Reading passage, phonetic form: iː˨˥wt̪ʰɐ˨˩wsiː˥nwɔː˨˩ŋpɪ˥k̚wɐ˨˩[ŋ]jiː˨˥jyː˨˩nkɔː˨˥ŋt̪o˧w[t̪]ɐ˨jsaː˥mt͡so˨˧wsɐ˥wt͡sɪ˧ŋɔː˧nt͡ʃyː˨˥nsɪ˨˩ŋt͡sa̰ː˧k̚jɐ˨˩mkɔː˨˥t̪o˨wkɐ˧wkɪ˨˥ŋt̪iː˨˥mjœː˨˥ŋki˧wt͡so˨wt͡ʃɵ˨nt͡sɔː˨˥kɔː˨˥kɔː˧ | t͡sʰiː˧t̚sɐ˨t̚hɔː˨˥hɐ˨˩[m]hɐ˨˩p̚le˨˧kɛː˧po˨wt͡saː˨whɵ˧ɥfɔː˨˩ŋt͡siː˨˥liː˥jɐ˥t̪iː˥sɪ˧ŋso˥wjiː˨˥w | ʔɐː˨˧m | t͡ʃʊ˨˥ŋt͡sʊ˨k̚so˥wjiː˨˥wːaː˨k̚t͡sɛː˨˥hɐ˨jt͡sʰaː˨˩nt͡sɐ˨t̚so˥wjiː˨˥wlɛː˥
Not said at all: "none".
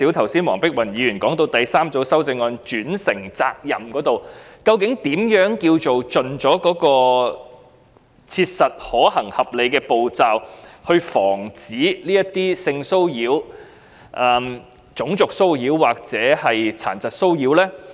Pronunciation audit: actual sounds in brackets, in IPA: n, t̪, ŋ

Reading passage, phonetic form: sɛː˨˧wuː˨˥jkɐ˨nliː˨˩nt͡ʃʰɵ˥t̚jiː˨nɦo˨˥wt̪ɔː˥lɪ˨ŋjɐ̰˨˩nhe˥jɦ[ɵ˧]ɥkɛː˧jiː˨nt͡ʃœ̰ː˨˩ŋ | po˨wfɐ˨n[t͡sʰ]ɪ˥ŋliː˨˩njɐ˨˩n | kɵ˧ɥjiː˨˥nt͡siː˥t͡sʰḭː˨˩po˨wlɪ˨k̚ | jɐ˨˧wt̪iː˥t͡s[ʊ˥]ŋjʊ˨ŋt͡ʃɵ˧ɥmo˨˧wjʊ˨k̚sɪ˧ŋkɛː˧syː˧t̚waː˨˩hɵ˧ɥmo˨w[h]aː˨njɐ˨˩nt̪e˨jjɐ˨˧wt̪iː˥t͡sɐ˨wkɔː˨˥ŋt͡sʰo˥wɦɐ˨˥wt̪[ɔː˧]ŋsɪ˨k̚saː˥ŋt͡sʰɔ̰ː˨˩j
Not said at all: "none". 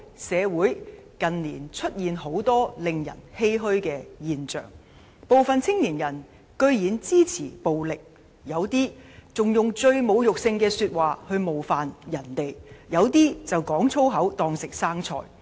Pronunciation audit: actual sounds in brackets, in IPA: ɵ˥, t͡sʰ, ʊ˨, f, ɔː˧

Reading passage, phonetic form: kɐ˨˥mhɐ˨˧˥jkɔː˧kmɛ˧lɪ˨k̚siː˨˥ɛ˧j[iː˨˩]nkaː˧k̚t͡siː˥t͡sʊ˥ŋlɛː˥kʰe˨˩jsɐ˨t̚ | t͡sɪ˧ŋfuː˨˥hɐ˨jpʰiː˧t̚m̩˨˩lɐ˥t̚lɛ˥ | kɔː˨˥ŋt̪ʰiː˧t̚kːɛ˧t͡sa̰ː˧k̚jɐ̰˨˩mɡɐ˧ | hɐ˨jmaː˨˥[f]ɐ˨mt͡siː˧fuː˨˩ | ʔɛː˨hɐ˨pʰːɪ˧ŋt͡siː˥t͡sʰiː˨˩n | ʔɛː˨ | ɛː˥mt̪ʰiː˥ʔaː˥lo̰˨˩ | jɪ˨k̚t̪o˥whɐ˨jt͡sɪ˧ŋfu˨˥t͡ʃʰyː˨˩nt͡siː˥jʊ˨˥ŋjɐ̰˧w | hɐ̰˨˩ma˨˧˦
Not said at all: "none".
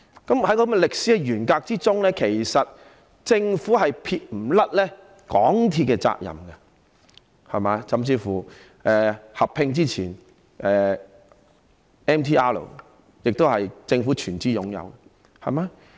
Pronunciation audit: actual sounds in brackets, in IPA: yː˨˩, s

